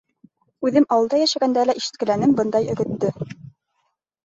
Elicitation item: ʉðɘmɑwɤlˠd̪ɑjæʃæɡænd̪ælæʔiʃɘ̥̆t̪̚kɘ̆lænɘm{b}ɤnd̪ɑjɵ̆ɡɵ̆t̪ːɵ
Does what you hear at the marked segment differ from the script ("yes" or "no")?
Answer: no